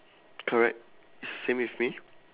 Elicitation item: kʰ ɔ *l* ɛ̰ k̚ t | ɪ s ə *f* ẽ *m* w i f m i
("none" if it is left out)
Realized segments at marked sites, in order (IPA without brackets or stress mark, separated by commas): ɹ, s, m